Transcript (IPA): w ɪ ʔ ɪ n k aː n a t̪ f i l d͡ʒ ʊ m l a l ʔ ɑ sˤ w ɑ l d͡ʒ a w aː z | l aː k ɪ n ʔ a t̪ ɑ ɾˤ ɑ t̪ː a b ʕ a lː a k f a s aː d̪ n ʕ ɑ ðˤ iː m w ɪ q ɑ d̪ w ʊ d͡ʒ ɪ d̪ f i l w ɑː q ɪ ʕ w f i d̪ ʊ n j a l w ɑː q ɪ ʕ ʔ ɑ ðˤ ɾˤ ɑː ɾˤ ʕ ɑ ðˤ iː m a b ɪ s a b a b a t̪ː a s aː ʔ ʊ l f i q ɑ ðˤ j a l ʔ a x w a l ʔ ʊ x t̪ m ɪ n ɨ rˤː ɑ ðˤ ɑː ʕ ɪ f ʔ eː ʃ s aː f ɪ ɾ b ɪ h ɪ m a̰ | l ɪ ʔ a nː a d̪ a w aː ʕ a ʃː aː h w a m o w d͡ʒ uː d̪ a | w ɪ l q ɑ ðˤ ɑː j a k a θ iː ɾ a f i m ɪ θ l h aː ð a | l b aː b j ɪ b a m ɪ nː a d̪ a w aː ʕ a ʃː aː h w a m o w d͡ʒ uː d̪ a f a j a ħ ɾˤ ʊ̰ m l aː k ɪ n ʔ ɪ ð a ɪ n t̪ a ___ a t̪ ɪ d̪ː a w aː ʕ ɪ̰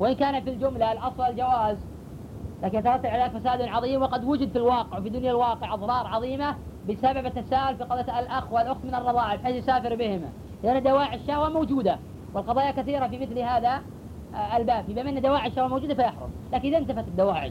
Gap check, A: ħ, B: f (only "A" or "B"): B